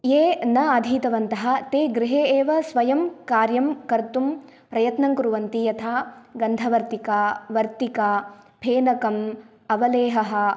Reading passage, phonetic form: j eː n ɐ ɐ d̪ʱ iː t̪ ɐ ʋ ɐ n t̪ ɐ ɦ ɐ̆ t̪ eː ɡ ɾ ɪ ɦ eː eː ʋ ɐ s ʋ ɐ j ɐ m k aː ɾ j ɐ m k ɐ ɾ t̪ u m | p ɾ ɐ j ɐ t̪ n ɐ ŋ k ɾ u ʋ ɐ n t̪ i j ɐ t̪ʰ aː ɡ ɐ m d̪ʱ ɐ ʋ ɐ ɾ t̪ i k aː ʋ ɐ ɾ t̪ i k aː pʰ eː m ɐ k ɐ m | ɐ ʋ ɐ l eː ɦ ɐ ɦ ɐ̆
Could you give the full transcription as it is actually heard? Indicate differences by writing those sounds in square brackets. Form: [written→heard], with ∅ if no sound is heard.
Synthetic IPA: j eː n ɐ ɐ d̪ʱ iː t̪ ɐ ʋ ɐ n t̪ ɐ ɦ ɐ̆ t̪ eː ɡ ɾ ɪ ɦ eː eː ʋ ɐ s ʋ ɐ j ɐ m k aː ɾ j ɐ m k ɐ ɾ t̪ u m | p ɾ ɐ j ɐ t̪ n ɐ ŋ k ɾ u ʋ ɐ n t̪ i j ɐ t̪ʰ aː ɡ ɐ [m→n] d̪ʱ ɐ ʋ ɐ ɾ t̪ i k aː ʋ ɐ ɾ t̪ i k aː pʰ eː [m→n] ɐ k ɐ m | ɐ ʋ ɐ l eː ɦ ɐ ɦ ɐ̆